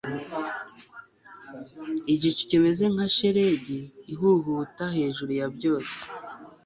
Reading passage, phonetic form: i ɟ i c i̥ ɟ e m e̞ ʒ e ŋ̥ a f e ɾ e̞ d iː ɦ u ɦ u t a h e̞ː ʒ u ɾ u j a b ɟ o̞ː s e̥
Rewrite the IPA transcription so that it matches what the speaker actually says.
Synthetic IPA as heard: i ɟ i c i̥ c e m e̞ z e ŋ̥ a ʃ e ɾ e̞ ɟ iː ɦ u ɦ u t a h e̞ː ʒ u ɾ u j a b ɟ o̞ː s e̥